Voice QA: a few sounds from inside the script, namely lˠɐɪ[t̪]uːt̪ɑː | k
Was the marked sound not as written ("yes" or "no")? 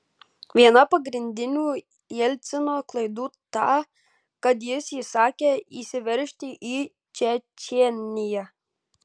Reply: yes